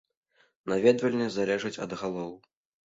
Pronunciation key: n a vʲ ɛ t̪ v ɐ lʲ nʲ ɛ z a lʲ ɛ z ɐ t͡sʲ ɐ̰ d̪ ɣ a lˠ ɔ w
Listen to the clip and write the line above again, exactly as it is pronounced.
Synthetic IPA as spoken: n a vʲ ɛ d̪ v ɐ lʲ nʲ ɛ z a lʲ ɛ ʐ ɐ t͡sʲ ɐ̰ d̪ ɣ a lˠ ɔ w